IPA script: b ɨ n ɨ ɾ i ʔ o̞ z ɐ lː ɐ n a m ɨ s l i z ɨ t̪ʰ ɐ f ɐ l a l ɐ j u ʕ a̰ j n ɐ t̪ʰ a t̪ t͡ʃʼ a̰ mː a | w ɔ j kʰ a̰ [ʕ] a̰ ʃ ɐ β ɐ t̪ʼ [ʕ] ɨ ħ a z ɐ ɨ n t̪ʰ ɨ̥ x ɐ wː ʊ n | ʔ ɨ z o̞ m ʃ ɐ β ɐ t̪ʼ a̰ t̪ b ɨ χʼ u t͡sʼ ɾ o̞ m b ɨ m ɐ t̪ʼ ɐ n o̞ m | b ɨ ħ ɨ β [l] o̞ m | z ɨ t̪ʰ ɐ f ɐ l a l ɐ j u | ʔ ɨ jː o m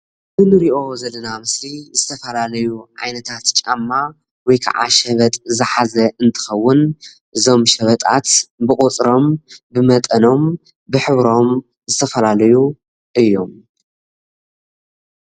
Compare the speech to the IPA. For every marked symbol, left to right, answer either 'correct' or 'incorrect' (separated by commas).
correct, incorrect, incorrect